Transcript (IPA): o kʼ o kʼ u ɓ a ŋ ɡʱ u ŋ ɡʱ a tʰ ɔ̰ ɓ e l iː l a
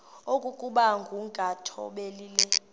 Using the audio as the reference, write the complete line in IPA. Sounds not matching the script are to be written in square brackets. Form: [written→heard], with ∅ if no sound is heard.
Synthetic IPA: o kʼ [o→u] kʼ u ɓ a ŋ ɡʱ u ŋ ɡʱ a tʰ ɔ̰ ɓ e l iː l [a→ɛ]